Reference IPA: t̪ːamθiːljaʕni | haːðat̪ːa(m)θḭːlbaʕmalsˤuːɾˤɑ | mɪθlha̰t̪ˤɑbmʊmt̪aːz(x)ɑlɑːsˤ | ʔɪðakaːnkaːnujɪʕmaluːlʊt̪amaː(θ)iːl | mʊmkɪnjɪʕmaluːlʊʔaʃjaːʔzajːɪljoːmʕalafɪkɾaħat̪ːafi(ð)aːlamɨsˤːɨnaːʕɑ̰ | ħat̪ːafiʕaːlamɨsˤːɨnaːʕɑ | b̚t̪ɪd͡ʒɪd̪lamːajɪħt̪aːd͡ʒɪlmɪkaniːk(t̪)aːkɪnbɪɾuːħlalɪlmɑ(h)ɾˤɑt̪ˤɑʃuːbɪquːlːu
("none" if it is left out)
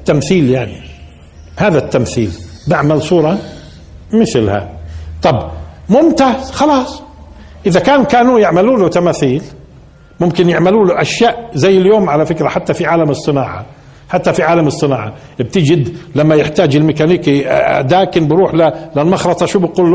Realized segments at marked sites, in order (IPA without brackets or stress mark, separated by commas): m, x, θ, ʕ, d̪, x